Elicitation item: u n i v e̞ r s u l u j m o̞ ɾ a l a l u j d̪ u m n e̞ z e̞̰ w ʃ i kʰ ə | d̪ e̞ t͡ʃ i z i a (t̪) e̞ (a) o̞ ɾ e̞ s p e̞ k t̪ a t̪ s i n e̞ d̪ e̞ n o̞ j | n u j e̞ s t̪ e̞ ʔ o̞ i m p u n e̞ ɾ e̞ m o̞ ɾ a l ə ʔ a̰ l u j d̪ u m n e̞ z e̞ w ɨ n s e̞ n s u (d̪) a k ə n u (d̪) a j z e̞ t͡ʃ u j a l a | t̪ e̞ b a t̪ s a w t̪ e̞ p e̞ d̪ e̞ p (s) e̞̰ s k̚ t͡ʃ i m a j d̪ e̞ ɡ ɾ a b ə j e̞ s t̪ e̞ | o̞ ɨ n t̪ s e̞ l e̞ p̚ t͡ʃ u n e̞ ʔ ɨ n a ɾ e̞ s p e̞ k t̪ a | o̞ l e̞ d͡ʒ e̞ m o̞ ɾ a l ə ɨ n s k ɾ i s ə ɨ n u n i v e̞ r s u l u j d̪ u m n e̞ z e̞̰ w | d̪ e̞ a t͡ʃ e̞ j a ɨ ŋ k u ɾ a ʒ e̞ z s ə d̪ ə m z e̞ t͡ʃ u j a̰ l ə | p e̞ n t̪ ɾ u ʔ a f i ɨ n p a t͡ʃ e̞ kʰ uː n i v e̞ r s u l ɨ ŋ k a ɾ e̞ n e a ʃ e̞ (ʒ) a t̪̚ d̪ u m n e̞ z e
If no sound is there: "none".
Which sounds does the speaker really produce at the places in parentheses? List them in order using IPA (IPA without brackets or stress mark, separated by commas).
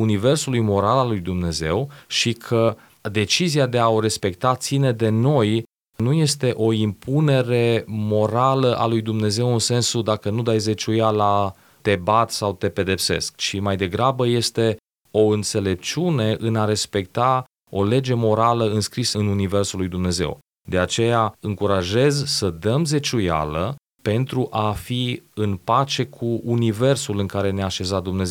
d̪, a, d̪, d̪, s, z